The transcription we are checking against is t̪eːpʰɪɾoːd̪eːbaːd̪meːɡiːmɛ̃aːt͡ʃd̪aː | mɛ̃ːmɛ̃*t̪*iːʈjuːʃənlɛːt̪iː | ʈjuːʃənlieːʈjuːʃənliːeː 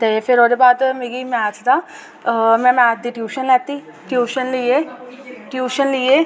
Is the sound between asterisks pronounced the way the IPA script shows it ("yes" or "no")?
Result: no